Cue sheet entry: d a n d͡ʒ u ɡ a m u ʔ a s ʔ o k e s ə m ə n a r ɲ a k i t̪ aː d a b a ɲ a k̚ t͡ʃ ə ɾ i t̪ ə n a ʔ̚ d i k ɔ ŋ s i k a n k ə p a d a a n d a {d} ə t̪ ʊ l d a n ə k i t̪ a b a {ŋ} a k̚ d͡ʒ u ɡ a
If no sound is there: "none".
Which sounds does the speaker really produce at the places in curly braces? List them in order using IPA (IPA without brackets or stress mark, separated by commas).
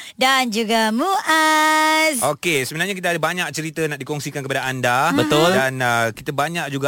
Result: b, ɲ